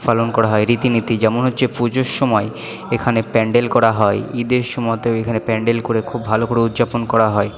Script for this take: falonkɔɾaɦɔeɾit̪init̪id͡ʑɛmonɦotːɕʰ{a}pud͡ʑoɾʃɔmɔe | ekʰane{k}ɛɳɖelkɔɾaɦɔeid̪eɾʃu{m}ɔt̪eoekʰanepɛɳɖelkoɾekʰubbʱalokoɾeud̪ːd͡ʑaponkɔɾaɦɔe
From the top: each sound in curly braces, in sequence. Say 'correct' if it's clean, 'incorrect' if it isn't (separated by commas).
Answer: incorrect, incorrect, correct